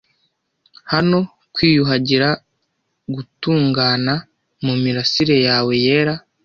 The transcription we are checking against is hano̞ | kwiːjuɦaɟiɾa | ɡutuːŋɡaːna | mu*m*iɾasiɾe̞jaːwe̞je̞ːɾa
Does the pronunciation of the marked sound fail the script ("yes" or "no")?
no